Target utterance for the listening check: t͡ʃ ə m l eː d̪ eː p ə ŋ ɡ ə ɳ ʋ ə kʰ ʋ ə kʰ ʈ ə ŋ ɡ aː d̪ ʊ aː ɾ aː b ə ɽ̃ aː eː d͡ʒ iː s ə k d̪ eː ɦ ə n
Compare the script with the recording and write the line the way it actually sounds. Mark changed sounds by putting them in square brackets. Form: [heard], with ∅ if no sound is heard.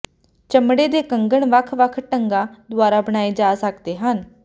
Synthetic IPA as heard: t͡ʃ ə m [ɽ] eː d̪ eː [k] ə ŋ ɡ ə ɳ ʋ ə kʰ ʋ ə kʰ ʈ ə ŋ ɡ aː d̪ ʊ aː ɾ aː b ə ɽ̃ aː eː d͡ʒ [aː] s ə k d̪ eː ɦ ə n